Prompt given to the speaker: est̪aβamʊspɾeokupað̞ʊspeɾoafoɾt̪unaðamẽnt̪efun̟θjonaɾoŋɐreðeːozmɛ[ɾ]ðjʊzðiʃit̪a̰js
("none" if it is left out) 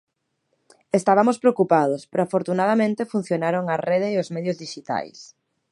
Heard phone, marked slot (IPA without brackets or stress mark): none